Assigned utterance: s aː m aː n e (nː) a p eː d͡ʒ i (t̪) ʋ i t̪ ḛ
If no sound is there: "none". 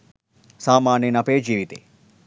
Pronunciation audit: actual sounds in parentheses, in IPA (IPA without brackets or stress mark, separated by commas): n, none